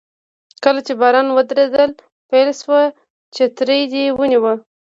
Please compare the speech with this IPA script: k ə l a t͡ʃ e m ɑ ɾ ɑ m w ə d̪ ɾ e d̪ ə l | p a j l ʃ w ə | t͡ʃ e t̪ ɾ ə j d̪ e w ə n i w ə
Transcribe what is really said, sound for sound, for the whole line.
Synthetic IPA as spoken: k ə l a t͡ʃ e b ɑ ɾ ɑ n w ə d̪ ɾ e d̪ ə l | p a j l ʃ w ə | t͡ʃ e t̪ ɾ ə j d̪ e w ə n i w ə